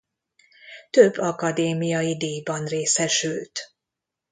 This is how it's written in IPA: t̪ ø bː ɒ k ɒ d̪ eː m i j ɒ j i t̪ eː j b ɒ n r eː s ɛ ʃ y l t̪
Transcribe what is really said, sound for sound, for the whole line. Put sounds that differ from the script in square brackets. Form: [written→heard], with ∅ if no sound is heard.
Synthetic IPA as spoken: t̪ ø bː ɒ k ɒ d̪ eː m i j ɒ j i [t̪→d̪] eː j b ɒ n r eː s ɛ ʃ y l t̪